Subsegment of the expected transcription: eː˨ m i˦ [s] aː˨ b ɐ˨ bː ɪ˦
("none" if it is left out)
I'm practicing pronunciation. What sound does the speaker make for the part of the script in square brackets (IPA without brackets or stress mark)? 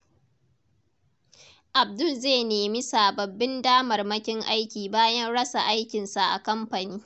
s